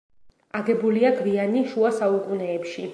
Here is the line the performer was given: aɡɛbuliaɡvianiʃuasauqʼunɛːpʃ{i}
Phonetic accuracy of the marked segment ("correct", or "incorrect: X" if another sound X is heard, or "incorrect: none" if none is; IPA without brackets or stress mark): correct